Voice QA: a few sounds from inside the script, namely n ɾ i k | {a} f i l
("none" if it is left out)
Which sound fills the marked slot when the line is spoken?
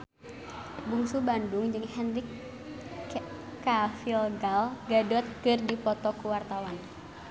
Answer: a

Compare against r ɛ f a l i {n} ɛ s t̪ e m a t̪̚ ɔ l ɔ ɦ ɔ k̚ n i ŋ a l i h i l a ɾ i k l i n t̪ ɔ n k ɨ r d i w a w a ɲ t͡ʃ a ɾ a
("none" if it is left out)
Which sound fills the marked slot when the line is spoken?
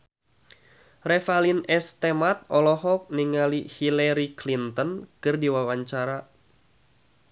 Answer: n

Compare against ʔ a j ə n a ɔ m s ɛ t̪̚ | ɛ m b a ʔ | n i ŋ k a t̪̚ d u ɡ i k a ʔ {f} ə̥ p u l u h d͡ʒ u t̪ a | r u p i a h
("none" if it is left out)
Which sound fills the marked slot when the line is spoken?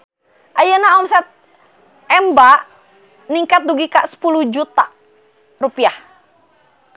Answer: s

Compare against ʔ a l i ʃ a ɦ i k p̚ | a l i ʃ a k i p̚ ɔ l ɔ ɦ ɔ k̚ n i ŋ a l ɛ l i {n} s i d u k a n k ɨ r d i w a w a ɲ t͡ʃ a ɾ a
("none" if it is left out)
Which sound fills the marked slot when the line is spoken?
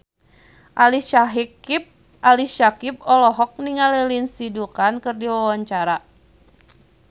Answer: n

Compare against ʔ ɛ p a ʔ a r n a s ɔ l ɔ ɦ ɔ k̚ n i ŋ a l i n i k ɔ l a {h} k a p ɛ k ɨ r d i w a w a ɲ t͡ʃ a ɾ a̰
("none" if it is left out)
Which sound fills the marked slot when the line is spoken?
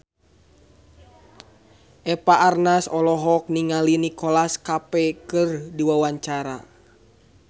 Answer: s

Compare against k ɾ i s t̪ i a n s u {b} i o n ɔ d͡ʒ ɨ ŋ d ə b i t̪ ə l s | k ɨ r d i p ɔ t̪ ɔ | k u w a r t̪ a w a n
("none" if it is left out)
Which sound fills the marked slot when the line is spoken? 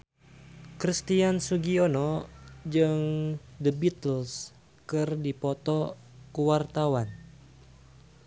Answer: ɡ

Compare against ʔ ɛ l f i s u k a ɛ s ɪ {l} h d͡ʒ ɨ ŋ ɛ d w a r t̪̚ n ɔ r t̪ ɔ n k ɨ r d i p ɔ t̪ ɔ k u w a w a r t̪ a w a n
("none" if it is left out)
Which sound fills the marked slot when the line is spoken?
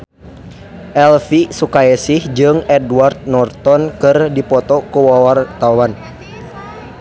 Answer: none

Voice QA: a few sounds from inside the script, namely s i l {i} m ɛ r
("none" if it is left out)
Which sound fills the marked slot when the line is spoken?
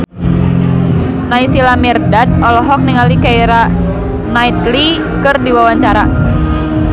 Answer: a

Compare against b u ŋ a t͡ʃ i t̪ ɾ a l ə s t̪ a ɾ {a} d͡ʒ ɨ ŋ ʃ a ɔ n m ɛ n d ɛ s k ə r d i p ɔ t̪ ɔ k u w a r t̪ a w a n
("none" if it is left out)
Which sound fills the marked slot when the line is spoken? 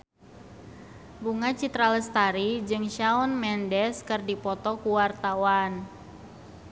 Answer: i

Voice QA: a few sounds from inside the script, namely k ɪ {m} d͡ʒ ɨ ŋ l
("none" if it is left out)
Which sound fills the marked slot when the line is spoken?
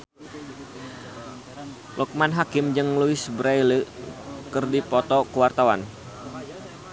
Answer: m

